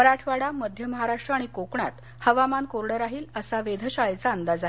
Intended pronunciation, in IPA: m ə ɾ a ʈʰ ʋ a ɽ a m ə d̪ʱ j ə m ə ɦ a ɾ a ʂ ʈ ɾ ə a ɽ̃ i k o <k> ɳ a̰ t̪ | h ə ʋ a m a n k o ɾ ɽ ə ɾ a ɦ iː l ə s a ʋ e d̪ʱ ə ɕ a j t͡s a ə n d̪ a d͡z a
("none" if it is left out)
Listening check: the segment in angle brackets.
k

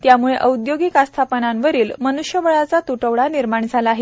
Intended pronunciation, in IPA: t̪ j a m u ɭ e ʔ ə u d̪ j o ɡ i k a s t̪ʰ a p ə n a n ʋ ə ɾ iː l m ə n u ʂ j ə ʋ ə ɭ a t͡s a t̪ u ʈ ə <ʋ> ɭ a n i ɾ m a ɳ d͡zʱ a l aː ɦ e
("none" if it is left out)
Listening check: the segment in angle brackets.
ʋ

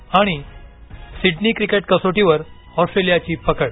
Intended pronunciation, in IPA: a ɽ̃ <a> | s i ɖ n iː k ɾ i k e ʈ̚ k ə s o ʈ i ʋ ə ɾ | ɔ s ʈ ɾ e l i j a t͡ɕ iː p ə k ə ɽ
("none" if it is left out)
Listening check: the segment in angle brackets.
i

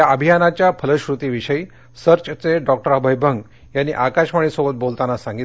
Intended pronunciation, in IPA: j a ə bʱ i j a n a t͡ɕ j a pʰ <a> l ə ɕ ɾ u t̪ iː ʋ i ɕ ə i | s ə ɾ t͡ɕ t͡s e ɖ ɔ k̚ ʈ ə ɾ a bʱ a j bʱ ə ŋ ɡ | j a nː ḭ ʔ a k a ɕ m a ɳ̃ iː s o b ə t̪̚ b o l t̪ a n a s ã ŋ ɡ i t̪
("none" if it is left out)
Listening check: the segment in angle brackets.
ə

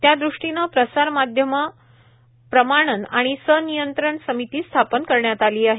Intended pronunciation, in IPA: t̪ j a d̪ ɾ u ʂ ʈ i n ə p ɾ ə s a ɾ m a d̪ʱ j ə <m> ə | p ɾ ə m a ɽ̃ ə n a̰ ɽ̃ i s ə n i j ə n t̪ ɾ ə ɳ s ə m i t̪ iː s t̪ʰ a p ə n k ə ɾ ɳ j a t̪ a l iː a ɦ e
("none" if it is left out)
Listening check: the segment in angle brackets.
m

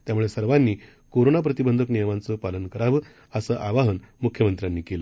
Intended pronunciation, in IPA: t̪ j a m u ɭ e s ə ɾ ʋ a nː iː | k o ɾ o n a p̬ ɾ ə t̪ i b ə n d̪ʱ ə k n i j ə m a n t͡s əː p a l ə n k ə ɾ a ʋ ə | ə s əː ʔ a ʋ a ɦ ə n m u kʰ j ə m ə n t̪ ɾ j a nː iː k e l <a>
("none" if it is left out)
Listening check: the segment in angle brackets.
ə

